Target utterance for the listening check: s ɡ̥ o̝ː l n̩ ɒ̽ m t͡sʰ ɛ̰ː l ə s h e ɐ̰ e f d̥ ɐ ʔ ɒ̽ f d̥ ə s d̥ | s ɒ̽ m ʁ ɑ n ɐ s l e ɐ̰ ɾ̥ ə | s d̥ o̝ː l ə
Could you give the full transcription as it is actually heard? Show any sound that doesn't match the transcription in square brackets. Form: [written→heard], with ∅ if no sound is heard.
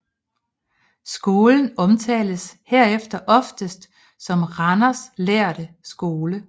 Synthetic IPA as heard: s ɡ̥ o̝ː l n̩ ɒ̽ m t͡sʰ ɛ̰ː l ə s h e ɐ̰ e f d̥ ɐ ʔ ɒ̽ f d̥ ə s d̥ | s ɒ̽ m ʁ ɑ n ɐ s l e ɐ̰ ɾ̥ ə | s [d̥→ɡ̥] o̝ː l ə